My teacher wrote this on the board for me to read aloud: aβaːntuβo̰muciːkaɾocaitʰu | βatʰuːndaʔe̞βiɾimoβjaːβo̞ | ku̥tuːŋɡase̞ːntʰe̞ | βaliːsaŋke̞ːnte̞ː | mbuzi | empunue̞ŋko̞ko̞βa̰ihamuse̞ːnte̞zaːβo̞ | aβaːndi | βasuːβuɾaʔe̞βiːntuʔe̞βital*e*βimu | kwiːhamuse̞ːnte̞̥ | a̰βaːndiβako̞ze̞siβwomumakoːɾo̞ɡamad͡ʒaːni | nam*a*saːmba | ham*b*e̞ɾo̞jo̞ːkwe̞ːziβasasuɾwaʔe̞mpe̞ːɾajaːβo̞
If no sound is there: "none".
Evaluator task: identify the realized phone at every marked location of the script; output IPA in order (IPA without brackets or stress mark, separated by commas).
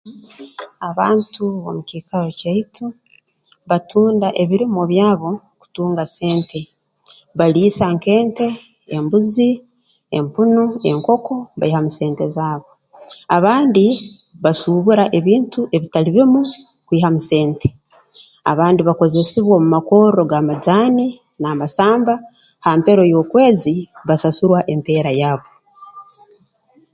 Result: i, a, p